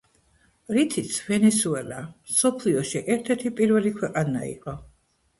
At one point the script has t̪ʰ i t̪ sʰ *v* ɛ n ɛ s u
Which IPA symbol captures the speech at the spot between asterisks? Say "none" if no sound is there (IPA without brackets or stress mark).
v